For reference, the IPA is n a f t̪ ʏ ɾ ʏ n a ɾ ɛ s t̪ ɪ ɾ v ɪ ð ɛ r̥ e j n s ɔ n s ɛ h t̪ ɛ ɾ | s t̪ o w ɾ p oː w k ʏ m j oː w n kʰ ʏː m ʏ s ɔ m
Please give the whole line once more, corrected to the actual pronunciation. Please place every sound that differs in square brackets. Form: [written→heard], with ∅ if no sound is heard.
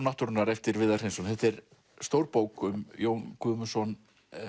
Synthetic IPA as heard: n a [f→h] t̪ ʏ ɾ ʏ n a ɾ ɛ [s→f] t̪ ɪ ɾ v ɪ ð [ɛ→a] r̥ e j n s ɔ n [s→θ] ɛ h t̪ ɛ ɾ | s t̪ o w ɾ p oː w k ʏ m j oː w n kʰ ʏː m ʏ s ɔ [m→n]